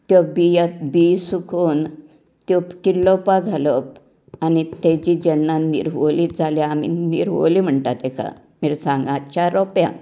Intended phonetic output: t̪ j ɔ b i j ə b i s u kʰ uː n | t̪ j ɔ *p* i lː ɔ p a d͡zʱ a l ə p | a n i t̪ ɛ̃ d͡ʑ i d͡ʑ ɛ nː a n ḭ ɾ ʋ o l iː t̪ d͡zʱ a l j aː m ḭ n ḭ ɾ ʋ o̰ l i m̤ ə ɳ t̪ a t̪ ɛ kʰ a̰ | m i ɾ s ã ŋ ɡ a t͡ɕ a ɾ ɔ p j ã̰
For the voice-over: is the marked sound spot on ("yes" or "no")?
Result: no